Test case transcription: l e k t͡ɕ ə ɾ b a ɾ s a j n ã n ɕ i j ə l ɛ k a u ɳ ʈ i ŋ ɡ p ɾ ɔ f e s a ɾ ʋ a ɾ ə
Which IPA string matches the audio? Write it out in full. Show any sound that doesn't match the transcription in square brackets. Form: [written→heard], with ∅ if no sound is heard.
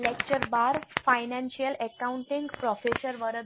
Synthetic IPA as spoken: l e k t͡ɕ ə ɾ b a ɾ [s→f] a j n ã n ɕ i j ə l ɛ k a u ɳ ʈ i ŋ ɡ p ɾ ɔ f e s [a→ə] ɾ ʋ [a→ə] ɾ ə